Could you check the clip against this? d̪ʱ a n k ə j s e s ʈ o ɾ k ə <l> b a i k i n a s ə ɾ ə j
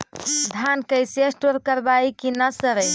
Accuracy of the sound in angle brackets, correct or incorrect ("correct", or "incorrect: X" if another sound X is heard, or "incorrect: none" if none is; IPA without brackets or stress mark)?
incorrect: ɾ